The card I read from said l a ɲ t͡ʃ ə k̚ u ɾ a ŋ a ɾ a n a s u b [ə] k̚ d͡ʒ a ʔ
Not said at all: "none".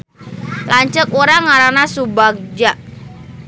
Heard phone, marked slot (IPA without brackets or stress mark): a